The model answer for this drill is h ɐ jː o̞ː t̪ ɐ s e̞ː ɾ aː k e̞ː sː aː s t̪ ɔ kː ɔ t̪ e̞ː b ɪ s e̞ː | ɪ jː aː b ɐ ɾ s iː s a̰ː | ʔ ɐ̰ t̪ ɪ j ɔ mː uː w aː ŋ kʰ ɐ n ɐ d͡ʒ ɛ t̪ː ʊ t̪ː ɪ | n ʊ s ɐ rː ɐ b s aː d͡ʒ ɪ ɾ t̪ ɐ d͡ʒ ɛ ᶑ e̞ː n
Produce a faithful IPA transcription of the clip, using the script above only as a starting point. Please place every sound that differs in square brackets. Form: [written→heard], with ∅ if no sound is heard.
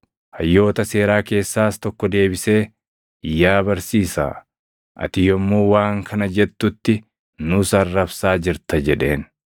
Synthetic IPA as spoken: h ɐ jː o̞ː t̪ ɐ s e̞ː ɾ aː k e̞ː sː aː s t̪ ɔ kː ɔ [t̪→d̪] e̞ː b ɪ s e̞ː | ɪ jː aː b ɐ ɾ s iː s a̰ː | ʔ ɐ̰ t̪ ɪ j ɔ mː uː w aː ŋ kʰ ɐ n ɐ d͡ʒ ɛ t̪ː ʊ t̪ː ɪ | n ʊ s ɐ rː ɐ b s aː d͡ʒ ɪ ɾ t̪ ɐ d͡ʒ ɛ ᶑ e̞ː n